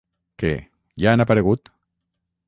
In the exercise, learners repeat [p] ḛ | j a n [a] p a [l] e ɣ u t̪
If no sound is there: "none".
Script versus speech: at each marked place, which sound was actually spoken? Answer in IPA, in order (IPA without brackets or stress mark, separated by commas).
k, a, ɾ